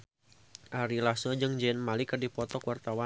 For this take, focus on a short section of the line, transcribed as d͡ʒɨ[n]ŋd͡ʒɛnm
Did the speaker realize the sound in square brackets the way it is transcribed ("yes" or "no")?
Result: no